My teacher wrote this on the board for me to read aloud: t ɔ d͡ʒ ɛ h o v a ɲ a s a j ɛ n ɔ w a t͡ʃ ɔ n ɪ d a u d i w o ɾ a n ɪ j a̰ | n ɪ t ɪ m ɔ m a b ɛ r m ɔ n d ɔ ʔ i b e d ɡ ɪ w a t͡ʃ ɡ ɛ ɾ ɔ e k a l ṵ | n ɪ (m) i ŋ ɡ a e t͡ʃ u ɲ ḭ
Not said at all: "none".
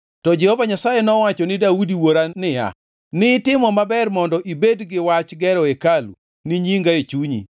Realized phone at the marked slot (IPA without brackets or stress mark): ɲ